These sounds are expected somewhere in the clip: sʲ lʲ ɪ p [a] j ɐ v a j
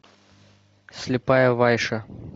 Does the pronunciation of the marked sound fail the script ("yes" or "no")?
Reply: no